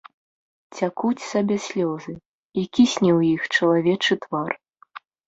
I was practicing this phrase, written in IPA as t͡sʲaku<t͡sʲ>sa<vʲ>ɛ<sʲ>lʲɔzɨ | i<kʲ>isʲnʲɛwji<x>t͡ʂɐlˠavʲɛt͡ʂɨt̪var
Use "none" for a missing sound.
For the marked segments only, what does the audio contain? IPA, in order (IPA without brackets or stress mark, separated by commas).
t͡sʲ, bʲ, sʲ, kʲ, x